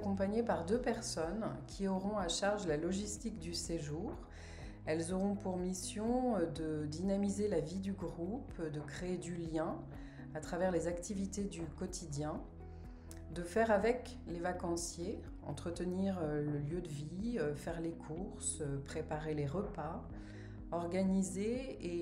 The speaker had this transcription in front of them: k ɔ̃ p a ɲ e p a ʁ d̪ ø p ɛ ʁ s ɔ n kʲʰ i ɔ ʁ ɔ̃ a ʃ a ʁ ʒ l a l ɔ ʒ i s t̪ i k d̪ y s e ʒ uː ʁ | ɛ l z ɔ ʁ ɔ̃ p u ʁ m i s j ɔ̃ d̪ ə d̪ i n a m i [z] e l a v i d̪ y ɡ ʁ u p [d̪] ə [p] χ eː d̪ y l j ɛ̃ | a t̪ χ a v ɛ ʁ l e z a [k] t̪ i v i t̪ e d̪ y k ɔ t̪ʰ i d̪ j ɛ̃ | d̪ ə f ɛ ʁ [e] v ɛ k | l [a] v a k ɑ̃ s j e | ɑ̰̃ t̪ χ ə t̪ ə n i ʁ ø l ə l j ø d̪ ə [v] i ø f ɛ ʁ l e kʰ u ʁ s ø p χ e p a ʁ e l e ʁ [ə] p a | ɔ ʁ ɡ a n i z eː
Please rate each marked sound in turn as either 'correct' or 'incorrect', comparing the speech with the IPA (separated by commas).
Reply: correct, correct, incorrect, correct, incorrect, incorrect, correct, correct